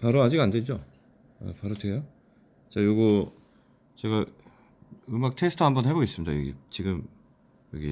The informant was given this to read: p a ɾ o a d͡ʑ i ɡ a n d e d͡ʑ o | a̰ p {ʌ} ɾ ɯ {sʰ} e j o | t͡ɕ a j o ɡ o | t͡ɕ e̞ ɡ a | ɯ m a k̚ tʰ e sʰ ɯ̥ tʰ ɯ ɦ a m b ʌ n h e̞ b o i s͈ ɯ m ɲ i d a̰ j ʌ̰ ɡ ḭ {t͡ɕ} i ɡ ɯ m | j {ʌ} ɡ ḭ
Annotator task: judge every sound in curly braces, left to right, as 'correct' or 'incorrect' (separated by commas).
incorrect, incorrect, correct, correct